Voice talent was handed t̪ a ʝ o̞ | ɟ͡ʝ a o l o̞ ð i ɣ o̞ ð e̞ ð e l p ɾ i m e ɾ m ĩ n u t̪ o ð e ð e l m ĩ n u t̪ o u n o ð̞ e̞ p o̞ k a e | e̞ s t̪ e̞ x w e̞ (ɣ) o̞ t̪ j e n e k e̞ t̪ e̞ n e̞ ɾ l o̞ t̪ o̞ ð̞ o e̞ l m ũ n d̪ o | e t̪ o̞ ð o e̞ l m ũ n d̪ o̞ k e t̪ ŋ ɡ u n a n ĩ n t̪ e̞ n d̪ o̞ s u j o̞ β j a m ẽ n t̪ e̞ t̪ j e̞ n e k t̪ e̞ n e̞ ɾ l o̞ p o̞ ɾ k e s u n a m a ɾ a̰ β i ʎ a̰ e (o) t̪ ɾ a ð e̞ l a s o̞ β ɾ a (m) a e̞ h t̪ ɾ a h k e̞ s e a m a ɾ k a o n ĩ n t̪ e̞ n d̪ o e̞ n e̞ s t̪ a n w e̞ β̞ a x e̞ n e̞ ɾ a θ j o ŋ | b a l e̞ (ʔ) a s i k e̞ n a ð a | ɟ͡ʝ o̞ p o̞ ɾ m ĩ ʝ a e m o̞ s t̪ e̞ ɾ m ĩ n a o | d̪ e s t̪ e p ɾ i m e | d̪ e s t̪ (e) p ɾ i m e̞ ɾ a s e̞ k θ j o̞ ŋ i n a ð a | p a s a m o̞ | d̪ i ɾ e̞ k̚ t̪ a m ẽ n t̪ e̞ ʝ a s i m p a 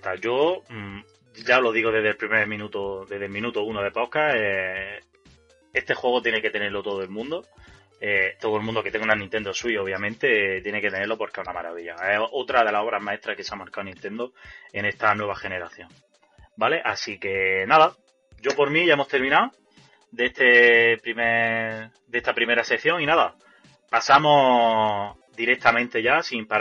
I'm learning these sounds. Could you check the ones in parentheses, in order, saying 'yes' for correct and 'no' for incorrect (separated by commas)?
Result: yes, yes, yes, yes, no